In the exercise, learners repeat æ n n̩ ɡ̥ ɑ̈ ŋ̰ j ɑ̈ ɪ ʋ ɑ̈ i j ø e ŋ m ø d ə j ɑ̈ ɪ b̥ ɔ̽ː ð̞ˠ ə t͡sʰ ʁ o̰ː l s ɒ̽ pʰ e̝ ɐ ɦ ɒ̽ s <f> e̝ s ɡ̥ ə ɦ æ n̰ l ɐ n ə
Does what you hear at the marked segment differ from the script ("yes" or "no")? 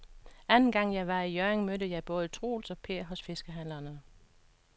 no